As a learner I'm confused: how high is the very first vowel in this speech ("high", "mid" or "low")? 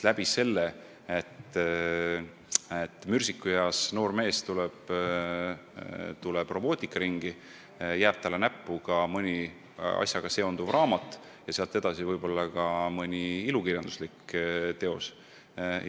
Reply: low